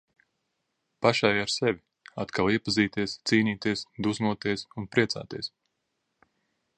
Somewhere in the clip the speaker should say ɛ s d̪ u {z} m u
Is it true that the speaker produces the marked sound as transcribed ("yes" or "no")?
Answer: yes